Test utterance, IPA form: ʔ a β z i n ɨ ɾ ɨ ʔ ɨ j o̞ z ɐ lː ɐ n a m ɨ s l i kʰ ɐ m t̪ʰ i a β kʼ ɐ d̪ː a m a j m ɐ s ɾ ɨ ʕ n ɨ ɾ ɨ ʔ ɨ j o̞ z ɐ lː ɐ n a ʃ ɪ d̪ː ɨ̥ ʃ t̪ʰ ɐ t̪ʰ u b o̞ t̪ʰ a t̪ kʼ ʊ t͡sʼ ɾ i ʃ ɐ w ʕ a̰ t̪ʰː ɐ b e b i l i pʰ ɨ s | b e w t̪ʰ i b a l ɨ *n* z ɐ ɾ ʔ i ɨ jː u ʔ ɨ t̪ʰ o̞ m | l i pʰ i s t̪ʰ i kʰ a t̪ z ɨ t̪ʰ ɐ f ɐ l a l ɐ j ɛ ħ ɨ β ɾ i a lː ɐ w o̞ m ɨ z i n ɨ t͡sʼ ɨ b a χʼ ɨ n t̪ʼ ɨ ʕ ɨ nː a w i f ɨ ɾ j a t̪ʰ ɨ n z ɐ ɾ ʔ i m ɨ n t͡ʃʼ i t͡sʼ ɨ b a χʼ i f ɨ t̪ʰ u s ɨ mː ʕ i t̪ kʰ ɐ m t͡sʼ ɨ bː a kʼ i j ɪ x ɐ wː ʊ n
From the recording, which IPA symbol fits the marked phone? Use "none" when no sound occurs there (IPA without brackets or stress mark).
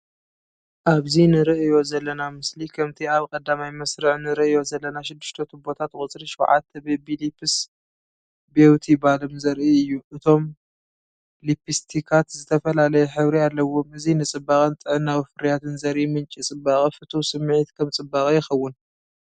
m